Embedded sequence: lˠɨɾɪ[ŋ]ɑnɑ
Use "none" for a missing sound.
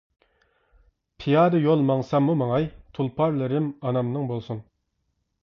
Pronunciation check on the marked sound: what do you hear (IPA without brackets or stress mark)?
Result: m